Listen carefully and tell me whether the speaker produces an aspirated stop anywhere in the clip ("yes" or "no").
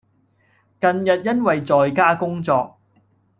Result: no